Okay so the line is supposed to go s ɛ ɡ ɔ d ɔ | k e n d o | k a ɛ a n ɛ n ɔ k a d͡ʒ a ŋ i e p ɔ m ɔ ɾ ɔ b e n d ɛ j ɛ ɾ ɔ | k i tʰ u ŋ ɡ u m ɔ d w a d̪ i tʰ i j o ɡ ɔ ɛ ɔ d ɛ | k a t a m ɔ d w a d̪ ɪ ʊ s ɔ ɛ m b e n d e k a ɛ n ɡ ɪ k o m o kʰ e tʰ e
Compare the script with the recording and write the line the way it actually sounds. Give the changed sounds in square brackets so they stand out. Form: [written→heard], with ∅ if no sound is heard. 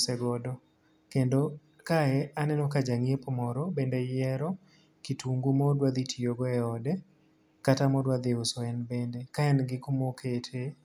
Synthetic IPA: s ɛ ɡ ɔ d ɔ | k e n d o | k a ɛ a n ɛ n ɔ k a d͡ʒ a ŋ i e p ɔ m ɔ ɾ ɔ b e n d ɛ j ɛ ɾ ɔ | k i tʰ u ŋ ɡ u m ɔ d w a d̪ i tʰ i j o ɡ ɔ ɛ ɔ d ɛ | k a t a m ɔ d w a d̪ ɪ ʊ s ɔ ɛ [m→n] b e n d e k a ɛ n ɡ ɪ k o m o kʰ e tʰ e